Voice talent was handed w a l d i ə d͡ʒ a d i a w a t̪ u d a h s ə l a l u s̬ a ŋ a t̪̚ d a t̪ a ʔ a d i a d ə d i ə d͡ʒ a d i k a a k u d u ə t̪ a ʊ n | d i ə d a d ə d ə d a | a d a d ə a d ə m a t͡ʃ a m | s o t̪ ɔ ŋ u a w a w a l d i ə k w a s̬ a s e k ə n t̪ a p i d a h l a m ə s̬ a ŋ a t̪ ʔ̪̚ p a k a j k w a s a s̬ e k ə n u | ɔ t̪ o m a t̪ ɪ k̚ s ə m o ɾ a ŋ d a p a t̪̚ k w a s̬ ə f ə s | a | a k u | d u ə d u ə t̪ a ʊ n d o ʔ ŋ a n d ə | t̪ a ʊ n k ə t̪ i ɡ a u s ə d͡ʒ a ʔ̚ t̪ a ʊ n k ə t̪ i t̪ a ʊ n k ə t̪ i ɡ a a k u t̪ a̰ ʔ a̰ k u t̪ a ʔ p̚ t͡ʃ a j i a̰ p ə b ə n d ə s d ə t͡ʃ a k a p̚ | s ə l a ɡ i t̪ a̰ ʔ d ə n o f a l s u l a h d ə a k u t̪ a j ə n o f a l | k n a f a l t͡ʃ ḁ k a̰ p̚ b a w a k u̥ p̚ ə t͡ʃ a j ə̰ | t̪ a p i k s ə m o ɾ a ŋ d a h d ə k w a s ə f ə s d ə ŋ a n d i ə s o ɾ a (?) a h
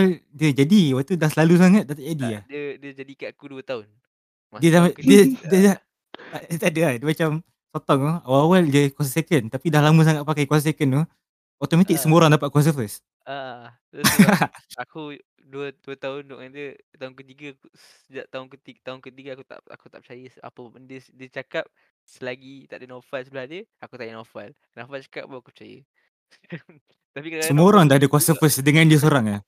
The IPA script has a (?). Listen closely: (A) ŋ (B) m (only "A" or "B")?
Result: A